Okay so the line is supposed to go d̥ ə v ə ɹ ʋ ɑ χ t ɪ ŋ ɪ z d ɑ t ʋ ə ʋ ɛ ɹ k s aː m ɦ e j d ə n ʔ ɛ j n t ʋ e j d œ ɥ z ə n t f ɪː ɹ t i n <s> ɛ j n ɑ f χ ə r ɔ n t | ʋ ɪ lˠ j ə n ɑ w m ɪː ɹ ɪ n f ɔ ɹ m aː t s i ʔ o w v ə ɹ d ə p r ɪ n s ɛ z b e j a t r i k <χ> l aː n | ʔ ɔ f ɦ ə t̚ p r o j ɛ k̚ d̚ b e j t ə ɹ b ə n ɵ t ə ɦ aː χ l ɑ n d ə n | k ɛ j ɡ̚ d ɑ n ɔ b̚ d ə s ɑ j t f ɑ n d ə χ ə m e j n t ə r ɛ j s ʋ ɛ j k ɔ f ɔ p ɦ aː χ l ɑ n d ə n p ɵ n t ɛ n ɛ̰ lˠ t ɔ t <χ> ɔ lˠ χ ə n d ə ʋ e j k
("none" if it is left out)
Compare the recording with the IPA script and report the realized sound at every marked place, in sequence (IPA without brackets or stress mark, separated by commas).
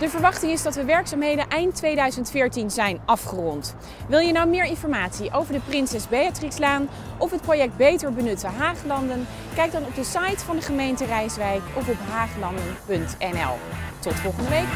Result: z, s, f